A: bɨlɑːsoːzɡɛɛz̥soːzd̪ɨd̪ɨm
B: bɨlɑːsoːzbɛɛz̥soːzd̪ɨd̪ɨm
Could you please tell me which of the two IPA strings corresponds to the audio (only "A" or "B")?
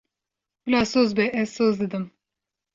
B